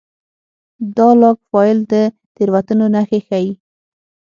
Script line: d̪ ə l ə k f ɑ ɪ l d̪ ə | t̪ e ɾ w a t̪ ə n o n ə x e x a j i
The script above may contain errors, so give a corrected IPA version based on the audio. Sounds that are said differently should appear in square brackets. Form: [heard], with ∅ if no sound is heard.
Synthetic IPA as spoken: d̪ [ɑ] l [ɑ] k f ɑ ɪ l d̪ ə | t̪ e ɾ w a t̪ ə n o n [a] x e x a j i